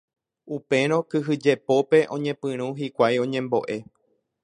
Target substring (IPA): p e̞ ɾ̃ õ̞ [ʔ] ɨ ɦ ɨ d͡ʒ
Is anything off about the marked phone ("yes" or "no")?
yes